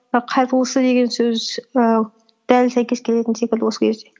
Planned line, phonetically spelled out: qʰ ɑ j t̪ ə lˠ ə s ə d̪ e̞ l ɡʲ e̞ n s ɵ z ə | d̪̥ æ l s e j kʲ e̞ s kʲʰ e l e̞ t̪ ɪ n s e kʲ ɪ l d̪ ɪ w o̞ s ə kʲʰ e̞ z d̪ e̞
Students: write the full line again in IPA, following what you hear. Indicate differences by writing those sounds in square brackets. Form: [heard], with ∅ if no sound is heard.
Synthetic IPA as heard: qʰ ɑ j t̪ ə lˠ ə s ə d̪ e̞ [∅] ɡʲ e̞ n s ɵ z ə | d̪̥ æ l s [æ] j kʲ e̞ s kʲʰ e l e̞ t̪ ɪ n s e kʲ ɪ l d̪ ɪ w o̞ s ə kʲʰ e̞ z d̪ e̞